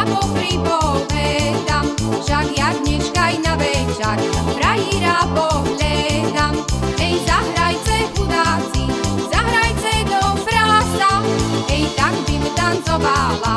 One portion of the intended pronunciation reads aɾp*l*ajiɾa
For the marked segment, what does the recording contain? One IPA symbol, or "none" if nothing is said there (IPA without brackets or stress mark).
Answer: ɾ